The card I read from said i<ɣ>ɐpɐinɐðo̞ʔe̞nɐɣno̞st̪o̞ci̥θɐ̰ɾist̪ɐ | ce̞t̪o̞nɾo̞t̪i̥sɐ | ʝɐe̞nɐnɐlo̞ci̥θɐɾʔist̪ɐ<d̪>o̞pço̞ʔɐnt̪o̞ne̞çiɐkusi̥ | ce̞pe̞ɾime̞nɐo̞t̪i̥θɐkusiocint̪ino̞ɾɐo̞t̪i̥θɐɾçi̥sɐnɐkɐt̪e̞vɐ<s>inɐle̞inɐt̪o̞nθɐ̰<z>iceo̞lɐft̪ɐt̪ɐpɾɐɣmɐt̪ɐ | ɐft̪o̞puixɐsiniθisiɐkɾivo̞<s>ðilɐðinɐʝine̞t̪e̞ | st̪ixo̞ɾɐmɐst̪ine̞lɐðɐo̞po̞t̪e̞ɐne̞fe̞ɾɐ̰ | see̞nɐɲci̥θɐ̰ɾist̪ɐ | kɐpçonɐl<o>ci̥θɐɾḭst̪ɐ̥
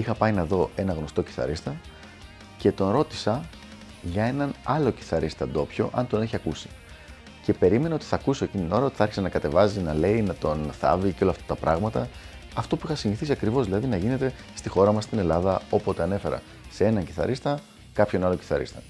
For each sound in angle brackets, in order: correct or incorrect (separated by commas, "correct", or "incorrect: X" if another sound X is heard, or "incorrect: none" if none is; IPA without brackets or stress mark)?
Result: incorrect: x, correct, incorrect: z, incorrect: v, incorrect: z, correct